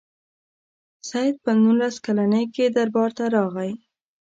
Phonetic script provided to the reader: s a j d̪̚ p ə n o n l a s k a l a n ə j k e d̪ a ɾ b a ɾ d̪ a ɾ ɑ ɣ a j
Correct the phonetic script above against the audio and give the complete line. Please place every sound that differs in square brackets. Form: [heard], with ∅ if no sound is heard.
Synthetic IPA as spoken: s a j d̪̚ p ə n [u] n l a s k a l a n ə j k e d̪ a ɾ b [ɑ] ɾ [t̪] a ɾ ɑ ɣ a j